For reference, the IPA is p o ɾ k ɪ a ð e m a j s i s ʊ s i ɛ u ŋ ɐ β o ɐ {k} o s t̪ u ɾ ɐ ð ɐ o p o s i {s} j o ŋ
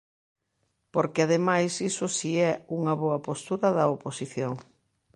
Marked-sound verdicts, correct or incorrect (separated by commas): incorrect, incorrect